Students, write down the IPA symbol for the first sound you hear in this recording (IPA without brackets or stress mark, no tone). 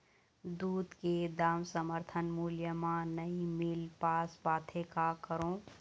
d̪